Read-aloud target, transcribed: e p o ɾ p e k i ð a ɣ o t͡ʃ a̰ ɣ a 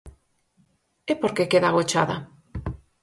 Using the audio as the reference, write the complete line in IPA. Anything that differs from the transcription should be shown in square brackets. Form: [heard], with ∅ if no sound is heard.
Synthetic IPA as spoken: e p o ɾ [k] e k [e] ð a ɣ o t͡ʃ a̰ [ð] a